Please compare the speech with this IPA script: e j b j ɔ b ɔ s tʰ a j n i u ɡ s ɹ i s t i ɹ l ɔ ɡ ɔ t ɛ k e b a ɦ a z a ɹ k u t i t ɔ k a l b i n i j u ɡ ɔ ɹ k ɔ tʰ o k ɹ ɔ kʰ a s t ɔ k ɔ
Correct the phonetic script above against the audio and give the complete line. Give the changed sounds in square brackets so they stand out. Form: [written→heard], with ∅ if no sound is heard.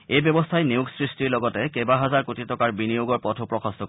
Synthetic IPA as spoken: e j b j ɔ b ɔ s tʰ a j n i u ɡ s ɹ i s t i ɹ l ɔ ɡ ɔ t ɛ k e b a ɦ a z a ɹ k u t i t ɔ k a [l→ɹ] b i n i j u ɡ ɔ ɹ [k→p] ɔ tʰ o [k→p] ɹ ɔ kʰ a s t ɔ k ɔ